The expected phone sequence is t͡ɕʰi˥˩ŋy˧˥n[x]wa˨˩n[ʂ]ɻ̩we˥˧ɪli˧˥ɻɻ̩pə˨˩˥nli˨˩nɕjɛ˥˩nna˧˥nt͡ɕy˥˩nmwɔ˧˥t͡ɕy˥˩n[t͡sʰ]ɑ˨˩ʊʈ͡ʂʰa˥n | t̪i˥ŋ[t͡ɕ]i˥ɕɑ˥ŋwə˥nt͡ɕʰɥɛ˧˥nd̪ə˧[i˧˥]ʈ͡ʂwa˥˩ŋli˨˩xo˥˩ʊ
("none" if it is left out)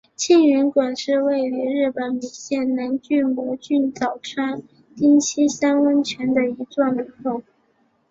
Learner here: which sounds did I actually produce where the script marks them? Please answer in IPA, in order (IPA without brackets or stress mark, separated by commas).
k, ʂ, t͡s, t͡ɕʰ, i˧˥